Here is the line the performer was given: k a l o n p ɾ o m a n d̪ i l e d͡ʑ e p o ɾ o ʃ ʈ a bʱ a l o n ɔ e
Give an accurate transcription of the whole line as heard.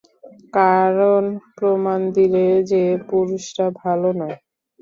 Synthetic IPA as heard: k a ɾ o n p ɾ o m a n d̪ i l e d͡ʑ e p u ɾ u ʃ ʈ a bʱ a l o n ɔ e